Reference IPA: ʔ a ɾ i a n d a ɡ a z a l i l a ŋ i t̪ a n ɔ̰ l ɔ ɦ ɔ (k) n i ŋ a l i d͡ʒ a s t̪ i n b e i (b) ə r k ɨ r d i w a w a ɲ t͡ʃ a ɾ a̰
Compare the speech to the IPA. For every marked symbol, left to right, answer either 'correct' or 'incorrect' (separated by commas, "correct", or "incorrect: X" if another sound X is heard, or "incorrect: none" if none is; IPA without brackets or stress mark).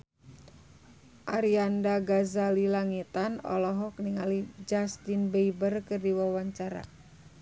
correct, correct